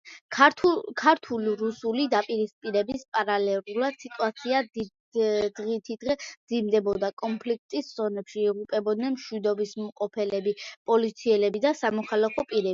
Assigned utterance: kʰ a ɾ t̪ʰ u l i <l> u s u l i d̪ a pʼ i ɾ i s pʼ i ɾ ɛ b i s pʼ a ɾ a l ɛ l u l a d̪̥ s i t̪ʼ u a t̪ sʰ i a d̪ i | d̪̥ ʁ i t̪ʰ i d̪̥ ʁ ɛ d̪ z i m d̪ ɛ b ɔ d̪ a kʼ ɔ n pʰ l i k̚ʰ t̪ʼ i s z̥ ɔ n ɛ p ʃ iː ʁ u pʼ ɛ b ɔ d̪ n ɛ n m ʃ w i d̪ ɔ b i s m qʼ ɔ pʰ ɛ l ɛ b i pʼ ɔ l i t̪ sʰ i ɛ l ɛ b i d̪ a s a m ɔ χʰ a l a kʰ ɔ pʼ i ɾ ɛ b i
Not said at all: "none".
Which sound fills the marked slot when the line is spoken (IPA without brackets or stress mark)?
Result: ɾ